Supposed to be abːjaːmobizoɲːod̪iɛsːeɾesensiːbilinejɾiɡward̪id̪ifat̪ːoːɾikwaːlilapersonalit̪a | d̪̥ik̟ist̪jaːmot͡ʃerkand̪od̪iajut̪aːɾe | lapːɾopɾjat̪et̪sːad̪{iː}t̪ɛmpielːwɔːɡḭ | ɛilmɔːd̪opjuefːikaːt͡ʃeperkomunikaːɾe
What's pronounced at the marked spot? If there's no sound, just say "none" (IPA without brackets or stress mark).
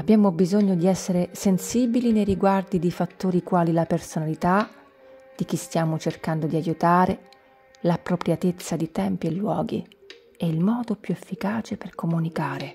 i